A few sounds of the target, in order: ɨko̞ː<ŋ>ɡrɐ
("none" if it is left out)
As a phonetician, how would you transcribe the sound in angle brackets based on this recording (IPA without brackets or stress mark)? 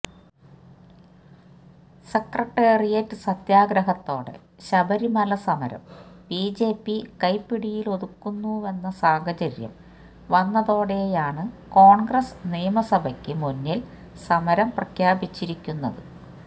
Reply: ɳ